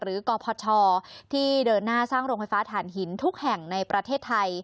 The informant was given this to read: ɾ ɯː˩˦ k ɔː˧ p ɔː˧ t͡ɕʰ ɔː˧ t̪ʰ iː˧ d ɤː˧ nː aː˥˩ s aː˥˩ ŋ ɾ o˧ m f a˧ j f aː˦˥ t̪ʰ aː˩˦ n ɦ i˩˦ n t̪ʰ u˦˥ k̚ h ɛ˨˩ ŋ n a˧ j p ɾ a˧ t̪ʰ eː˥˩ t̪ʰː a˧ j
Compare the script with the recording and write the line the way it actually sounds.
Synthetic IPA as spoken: ɾ ɯː˩˦ k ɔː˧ pʰ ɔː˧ t͡ɕʰ ɔː˧ t̪ʰ iː˥˩ d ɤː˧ nː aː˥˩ s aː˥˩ ŋ ɾ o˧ ŋ f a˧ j f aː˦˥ t̪ʰ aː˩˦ n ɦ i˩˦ n t̪ʰ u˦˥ k̚ h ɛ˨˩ ŋ n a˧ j p ɾ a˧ t̪ʰ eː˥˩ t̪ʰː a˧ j